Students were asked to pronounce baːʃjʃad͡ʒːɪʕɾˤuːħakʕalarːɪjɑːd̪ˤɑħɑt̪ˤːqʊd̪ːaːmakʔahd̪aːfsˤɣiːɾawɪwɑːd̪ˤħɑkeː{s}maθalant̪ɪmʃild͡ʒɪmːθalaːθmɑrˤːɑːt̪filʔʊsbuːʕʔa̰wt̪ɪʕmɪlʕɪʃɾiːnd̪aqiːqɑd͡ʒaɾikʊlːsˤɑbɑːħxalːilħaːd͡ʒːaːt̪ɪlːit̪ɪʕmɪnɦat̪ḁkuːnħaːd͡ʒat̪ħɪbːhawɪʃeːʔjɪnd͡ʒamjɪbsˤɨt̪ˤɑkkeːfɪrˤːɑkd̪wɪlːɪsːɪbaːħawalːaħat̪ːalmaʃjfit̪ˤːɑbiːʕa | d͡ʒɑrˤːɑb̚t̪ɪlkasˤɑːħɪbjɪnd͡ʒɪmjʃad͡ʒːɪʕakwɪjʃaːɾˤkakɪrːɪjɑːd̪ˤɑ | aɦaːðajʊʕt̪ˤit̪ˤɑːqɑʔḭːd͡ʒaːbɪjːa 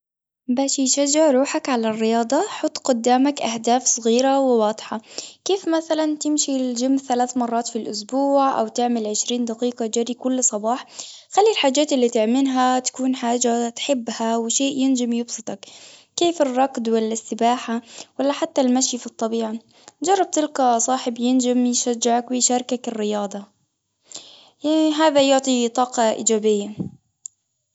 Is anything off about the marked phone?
yes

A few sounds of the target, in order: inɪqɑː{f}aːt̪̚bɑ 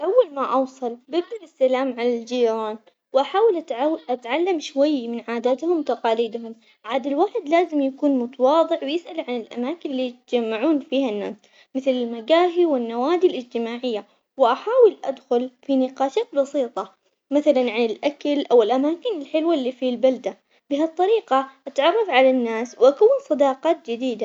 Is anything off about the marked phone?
yes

